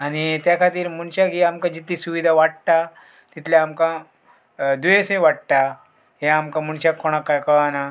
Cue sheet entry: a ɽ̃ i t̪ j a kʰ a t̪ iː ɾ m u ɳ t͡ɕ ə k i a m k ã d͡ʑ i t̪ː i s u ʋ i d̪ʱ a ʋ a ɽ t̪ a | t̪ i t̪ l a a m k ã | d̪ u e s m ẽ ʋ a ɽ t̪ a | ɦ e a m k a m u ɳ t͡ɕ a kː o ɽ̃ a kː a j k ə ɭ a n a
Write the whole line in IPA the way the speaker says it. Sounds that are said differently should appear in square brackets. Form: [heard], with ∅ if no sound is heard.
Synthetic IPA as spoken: a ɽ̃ i t̪ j a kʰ a t̪ iː ɾ m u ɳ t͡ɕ [a] k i a m k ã d͡ʑ i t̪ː i s u ʋ i d̪ʱ a ʋ a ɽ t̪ a | t̪ i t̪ l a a m k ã | d̪ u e s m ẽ ʋ a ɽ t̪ a | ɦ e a m k a m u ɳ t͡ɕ a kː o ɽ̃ a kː a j k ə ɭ a n a